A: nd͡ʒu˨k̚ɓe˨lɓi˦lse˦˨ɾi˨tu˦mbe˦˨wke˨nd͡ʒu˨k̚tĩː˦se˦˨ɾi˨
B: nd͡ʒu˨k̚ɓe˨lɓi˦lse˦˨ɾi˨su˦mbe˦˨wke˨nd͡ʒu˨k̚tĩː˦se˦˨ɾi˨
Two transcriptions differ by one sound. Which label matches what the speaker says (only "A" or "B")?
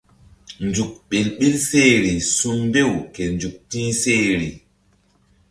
B